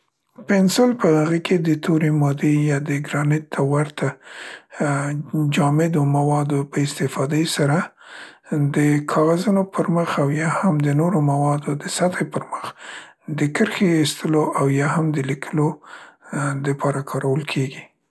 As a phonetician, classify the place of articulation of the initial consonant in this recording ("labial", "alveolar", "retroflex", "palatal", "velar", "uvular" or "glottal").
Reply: labial